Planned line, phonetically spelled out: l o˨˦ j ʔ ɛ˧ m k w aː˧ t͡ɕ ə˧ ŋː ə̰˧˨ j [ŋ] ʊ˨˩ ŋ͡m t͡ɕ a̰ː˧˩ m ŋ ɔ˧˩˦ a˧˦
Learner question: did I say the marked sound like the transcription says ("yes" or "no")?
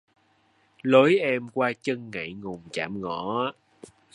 yes